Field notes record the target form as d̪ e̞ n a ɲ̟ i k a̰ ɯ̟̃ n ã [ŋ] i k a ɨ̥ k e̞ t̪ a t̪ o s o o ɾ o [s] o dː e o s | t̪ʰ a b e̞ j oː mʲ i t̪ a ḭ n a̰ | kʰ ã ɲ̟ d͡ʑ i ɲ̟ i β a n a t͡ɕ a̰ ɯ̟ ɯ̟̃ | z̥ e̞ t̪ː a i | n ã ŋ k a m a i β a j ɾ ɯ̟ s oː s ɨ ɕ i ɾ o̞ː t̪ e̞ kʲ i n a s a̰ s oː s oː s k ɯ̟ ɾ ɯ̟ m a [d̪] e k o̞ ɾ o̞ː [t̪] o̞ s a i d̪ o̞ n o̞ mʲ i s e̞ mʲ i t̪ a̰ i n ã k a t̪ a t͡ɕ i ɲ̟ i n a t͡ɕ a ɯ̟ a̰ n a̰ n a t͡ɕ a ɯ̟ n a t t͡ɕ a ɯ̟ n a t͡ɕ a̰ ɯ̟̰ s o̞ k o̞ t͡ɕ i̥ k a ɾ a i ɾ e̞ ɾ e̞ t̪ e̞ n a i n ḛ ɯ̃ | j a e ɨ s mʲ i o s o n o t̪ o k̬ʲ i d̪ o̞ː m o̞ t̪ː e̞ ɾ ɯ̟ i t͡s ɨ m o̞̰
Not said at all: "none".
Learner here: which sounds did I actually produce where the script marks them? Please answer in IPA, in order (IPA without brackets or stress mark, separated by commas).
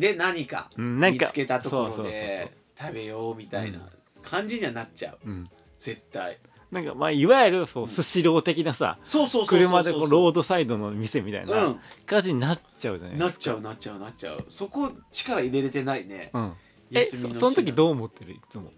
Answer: ŋ, s, d̪, d̪